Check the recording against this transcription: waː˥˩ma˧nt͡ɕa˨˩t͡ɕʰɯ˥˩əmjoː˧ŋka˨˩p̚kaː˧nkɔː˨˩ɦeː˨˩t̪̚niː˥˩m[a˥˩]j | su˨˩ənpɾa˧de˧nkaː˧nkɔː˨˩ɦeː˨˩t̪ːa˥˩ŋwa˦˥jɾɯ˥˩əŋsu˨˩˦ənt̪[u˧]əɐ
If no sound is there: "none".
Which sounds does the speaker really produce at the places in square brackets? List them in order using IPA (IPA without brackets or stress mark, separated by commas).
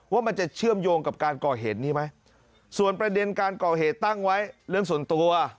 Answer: a˦˥, u˧